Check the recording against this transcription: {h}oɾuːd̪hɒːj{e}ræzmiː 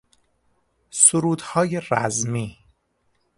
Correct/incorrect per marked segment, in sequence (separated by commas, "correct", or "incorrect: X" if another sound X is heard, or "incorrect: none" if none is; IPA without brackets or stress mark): incorrect: s, correct